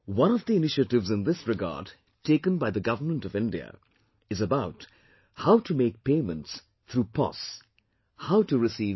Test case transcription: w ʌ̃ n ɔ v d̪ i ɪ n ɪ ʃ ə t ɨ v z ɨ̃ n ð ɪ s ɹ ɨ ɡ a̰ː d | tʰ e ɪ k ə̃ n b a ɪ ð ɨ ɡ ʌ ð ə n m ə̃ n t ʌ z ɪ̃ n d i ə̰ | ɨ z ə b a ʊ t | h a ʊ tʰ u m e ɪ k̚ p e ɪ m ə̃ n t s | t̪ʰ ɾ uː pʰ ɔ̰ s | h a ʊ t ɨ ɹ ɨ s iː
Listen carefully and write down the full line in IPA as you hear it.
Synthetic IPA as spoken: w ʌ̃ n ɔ v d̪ i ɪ n ɪ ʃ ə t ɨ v z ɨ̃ n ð ɪ s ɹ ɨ ɡ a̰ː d | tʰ e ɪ k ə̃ n b a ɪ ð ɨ ɡ ʌ v ə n m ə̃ n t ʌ v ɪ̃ n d i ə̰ | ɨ z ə b a ʊ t | h a ʊ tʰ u m e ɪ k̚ p e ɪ m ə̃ n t s | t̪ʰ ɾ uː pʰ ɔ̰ s | h a ʊ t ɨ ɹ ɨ s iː